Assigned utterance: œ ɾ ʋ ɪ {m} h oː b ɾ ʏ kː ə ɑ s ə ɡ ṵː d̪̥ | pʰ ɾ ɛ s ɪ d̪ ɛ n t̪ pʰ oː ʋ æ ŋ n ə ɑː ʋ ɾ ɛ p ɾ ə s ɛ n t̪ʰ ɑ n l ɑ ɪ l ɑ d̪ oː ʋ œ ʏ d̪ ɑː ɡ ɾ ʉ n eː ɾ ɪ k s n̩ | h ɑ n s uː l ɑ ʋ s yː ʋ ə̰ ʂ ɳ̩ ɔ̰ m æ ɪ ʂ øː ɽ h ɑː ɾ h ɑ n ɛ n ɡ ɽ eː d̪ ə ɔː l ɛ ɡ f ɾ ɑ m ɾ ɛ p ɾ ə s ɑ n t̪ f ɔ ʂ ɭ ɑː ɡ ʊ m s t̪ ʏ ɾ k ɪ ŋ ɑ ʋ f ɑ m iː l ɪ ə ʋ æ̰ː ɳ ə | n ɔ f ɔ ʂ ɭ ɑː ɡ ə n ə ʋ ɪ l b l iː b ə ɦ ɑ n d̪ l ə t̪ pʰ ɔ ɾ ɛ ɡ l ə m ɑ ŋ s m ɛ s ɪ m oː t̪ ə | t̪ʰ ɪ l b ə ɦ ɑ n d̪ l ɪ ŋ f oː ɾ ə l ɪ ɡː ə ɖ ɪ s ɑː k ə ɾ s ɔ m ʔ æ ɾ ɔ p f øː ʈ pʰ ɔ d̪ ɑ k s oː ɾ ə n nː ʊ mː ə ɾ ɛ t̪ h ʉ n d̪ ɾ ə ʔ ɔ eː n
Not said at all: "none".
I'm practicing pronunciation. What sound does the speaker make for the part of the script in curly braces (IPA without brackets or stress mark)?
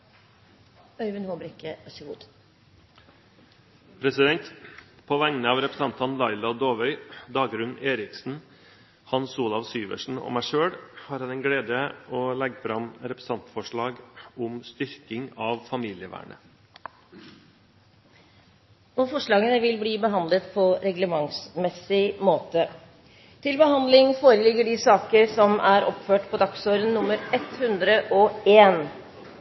n